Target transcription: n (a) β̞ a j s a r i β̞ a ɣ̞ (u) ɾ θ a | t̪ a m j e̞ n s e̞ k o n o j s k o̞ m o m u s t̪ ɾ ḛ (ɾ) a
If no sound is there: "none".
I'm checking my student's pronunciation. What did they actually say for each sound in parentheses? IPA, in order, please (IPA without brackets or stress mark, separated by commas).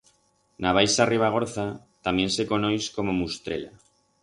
a, o, l